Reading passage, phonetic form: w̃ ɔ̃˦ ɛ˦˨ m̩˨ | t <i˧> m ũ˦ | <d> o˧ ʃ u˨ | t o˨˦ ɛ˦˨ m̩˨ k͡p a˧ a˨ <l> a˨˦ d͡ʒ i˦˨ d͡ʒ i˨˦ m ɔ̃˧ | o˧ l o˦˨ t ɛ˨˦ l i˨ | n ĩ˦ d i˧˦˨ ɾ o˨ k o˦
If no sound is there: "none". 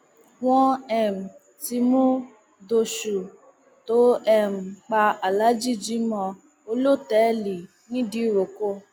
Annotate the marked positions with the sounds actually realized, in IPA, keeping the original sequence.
i˧, d, l

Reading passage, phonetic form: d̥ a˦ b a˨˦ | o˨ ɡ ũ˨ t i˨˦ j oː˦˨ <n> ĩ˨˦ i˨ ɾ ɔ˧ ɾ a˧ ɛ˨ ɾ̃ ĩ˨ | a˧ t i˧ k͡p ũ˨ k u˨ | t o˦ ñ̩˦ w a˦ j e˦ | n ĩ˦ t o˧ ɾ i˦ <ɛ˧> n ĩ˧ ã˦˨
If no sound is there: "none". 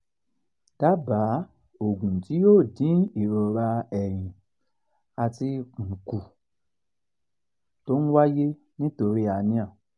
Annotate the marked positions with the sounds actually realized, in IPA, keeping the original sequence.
d, a˧

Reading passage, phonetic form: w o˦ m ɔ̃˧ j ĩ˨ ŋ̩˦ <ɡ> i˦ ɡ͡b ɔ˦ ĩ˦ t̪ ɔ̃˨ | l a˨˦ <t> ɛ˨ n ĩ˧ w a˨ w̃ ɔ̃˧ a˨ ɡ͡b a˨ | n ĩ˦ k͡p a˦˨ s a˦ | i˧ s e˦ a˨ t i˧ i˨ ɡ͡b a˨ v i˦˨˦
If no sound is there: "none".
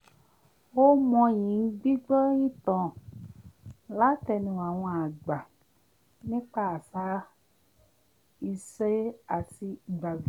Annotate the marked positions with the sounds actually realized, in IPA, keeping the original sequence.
ɡ͡b, t

